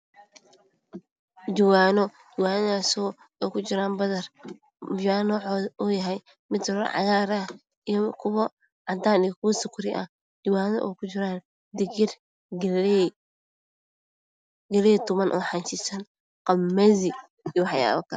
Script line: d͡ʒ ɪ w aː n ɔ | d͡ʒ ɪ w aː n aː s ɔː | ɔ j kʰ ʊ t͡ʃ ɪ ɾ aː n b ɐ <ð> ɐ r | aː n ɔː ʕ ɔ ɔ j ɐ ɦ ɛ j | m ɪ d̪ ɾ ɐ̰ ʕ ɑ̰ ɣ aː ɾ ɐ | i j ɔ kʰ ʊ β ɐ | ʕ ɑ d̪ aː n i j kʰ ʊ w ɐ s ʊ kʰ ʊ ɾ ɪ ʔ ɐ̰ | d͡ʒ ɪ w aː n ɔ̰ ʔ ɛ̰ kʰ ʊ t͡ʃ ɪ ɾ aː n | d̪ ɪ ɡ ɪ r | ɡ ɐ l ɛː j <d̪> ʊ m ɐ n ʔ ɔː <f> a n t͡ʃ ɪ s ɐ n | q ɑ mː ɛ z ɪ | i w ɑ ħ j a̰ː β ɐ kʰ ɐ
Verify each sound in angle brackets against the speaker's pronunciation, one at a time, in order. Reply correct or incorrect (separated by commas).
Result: correct, incorrect, incorrect